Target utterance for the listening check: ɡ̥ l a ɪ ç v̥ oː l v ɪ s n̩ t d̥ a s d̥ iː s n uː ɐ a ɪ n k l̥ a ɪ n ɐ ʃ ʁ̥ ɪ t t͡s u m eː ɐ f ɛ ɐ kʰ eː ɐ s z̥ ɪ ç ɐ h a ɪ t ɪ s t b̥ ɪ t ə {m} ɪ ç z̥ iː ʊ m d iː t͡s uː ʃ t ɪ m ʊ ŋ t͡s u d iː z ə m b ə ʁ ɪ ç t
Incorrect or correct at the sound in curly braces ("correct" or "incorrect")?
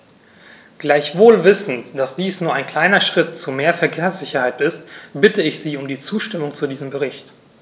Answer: incorrect